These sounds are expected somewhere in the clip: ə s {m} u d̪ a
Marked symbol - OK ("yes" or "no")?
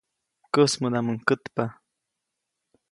yes